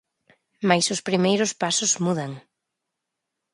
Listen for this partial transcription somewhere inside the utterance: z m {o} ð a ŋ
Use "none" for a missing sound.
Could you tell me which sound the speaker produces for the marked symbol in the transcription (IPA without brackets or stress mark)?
u